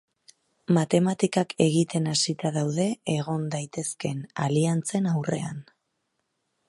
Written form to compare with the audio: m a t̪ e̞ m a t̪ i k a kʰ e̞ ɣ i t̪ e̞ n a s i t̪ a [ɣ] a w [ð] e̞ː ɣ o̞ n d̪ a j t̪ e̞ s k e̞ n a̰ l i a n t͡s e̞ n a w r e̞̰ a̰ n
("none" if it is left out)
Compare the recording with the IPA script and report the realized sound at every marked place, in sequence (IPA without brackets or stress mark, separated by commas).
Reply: ð, ð